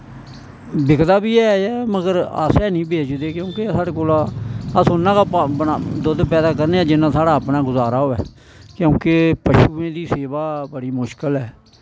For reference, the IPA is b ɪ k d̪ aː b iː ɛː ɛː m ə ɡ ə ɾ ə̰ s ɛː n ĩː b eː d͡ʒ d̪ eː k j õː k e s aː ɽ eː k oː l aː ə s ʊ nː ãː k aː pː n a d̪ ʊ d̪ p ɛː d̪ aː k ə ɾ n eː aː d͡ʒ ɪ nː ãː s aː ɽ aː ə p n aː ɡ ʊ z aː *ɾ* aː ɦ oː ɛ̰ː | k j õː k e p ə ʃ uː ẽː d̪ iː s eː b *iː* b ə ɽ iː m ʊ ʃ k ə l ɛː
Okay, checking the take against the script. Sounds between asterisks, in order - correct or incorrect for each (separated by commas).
correct, incorrect